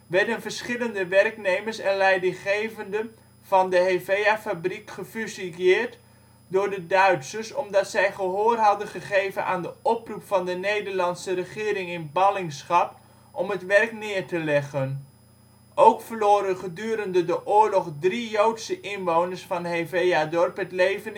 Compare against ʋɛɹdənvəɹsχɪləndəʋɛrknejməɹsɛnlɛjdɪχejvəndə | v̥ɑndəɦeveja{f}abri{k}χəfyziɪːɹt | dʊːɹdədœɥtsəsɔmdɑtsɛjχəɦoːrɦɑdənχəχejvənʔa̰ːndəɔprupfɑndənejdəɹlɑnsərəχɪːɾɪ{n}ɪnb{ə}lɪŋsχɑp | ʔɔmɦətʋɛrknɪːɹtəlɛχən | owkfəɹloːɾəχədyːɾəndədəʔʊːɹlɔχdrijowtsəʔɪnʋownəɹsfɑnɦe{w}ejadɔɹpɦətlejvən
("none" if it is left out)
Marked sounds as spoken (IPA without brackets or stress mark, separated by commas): f, k, ŋ, ɑ, v